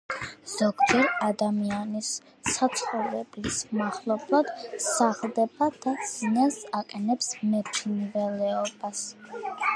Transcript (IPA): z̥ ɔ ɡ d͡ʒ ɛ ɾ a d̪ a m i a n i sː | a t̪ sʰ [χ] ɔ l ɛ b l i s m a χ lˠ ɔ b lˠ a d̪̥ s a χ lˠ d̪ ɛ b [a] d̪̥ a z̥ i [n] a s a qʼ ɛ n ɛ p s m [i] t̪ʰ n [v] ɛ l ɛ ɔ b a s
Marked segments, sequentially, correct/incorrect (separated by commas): correct, correct, correct, incorrect, correct